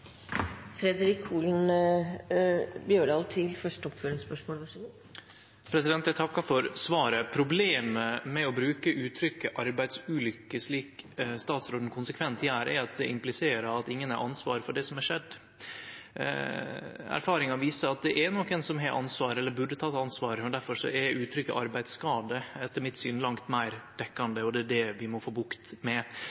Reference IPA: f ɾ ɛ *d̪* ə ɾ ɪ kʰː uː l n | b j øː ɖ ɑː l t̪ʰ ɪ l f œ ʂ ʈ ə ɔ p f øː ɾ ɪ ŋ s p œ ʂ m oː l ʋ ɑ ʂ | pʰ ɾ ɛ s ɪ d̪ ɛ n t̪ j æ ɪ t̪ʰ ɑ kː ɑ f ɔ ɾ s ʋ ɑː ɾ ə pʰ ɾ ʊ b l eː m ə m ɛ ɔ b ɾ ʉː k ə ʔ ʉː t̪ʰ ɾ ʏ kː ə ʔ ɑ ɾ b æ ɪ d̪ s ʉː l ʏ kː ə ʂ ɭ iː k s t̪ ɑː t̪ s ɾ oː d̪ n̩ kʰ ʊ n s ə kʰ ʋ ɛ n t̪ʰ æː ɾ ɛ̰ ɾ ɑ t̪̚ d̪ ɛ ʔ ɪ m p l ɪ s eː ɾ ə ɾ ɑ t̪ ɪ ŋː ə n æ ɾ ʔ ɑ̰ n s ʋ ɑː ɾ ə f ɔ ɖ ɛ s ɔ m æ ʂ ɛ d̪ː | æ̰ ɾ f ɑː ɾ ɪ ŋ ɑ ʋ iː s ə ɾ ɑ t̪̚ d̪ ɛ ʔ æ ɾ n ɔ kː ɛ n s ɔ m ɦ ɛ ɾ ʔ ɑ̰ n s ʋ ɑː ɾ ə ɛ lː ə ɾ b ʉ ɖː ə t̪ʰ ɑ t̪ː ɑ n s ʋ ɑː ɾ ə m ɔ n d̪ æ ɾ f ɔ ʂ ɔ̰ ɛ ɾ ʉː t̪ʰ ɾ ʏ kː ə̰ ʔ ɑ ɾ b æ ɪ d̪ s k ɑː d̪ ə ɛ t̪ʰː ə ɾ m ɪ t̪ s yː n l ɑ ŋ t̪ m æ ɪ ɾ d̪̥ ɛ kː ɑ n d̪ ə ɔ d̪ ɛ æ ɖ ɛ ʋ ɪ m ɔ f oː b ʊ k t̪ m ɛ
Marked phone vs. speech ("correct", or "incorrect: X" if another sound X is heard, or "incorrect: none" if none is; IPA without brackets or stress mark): correct